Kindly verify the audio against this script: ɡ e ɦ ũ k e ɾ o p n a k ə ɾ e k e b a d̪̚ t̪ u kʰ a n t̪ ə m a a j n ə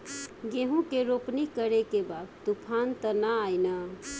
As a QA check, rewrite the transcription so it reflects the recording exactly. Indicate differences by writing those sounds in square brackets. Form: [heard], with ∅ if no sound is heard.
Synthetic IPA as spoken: ɡ e ɦ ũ k e ɾ o p n [i] k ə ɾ e k e b a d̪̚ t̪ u [pʰ] a n t̪ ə [n] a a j n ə